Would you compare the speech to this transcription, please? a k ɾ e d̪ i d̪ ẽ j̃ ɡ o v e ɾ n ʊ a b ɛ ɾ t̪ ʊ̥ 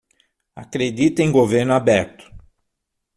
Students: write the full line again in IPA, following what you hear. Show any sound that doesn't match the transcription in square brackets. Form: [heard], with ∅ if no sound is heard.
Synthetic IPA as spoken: a k ɾ e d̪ i [t̪] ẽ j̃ ɡ o v e ɾ n ʊ a b ɛ ɾ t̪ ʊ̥